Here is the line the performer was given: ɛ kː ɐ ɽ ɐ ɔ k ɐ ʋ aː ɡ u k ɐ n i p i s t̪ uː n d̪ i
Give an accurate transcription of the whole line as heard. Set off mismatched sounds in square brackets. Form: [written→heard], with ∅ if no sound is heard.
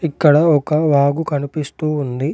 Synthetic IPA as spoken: [ɛ→i] kː ɐ ɽ ɐ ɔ k ɐ ʋ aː ɡ u k ɐ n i p i s t̪ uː n d̪ i